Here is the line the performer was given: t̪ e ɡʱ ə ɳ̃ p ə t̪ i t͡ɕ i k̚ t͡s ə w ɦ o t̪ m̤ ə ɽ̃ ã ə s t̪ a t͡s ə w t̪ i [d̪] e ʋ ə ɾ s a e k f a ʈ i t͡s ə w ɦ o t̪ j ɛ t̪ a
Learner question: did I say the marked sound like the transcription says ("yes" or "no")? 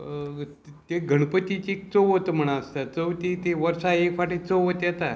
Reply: no